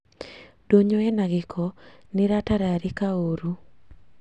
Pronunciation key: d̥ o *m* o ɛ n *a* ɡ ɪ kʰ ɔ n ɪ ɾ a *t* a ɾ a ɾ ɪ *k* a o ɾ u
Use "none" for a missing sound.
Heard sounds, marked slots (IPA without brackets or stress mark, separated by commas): ɲ, a, t, k